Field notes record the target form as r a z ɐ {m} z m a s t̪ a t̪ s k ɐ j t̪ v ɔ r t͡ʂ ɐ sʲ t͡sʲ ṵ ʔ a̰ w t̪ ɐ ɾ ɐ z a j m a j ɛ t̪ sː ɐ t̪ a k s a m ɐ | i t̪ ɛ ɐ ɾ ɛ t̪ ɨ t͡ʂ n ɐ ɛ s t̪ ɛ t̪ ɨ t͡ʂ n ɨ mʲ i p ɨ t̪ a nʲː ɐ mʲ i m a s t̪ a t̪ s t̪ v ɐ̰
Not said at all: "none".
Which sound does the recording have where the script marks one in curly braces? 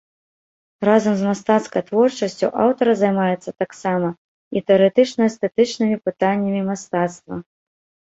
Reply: m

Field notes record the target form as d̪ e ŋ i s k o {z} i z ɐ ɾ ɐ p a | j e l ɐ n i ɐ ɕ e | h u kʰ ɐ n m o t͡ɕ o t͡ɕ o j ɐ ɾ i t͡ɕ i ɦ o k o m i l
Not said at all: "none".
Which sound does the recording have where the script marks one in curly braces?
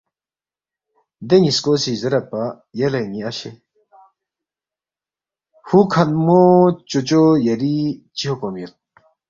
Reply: s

